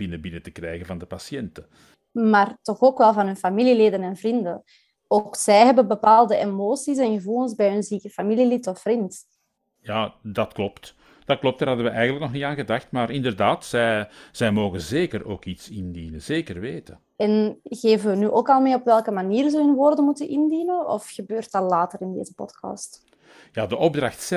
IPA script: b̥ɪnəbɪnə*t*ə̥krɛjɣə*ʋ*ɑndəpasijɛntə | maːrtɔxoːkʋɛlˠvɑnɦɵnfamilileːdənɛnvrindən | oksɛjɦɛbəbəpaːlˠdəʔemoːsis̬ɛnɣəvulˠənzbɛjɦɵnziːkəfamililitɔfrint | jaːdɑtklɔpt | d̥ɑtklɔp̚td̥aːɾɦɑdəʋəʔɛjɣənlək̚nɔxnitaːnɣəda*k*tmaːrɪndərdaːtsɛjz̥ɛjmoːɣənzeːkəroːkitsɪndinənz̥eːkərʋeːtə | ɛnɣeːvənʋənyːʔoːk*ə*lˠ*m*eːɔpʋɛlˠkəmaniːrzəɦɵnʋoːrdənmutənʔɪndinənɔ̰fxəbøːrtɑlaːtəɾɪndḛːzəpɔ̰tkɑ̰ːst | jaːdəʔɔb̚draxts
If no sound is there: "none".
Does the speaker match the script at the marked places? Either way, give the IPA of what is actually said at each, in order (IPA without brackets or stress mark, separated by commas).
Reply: t, v, x, ɑ, m